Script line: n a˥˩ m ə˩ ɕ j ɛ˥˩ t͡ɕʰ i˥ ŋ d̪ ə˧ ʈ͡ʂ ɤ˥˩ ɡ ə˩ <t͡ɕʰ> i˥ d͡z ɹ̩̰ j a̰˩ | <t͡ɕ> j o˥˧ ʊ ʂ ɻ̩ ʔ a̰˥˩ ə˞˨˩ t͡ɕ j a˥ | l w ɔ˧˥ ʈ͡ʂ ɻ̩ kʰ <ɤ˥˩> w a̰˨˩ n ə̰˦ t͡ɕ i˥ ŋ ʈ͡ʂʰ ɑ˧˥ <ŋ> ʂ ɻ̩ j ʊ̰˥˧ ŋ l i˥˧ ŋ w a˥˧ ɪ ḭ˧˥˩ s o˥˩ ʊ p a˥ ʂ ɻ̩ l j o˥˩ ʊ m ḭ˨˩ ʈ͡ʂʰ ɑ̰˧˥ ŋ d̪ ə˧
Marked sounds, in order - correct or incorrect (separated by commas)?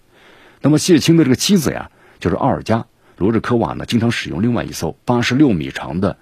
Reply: correct, correct, incorrect, correct